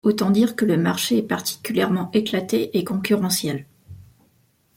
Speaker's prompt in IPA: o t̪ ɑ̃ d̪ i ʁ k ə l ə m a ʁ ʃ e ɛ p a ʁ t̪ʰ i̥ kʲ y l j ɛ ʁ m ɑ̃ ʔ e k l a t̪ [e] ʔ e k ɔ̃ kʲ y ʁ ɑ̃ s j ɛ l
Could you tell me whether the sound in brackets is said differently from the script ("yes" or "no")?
no